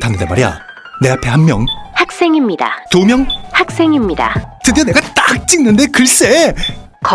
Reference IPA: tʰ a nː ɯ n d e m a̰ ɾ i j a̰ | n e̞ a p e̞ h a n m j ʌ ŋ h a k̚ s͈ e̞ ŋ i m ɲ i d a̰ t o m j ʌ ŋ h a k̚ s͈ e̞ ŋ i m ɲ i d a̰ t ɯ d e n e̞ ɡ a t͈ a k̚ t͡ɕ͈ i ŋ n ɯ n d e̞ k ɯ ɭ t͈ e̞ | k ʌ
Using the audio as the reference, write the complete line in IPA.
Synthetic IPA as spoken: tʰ a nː ɯ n d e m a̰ ɾ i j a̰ | n e̞ a pʰ e̞ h a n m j ʌ ŋ h a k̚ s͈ e̞ ŋ i m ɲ i d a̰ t o m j ʌ ŋ h a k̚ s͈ e̞ ŋ i m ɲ i d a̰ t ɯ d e n e̞ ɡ a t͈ a k̚ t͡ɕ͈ i ŋ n ɯ n d e̞ k ɯ ɭ s͈ e̞ | k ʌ